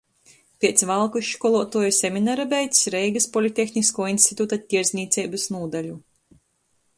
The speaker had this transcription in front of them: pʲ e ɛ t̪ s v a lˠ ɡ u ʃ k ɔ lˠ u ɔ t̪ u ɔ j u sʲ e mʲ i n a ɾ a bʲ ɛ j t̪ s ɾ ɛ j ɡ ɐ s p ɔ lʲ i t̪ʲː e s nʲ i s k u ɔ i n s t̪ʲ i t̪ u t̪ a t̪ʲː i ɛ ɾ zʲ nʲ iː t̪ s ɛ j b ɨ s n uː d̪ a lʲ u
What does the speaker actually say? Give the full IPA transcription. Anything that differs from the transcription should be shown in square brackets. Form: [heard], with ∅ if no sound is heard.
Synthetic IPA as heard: pʲ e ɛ t̪ s v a lˠ [k] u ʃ k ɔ lˠ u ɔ t̪ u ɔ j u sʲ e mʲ i n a ɾ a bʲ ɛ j t̪ s ɾ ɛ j ɡ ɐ s p ɔ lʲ i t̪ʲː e [x] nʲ i s k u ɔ i n s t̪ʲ i t̪ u t̪ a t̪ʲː i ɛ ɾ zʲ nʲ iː t̪ s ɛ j b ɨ s n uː d̪ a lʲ u